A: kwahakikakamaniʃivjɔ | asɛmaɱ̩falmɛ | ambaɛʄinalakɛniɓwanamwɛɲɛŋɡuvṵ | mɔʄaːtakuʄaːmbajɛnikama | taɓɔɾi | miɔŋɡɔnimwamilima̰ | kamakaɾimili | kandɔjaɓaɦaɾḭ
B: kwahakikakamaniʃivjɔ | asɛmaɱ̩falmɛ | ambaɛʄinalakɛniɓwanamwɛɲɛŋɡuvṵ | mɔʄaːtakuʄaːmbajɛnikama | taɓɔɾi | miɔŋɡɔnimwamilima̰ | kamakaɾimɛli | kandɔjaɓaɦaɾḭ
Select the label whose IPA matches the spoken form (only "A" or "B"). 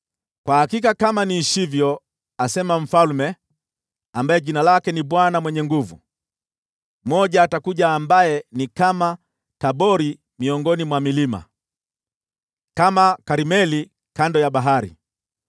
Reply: B